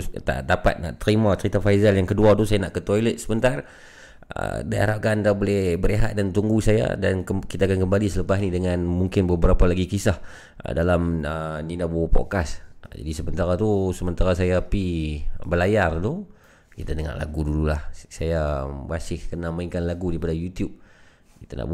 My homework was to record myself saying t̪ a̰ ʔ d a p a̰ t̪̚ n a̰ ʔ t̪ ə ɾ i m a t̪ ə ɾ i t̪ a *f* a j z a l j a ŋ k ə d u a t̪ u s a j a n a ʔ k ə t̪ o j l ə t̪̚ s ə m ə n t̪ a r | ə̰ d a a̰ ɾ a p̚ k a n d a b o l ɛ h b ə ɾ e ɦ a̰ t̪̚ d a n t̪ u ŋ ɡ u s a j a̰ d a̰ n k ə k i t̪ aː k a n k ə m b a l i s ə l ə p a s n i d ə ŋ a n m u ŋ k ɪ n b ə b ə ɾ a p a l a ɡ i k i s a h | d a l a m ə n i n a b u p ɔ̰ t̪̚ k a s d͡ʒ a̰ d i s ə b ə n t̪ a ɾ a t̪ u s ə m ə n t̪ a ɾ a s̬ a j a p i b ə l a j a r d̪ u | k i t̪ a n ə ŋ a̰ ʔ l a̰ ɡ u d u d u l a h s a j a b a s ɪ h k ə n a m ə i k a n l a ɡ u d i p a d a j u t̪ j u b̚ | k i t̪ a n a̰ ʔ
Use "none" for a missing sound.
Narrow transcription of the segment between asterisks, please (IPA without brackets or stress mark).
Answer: f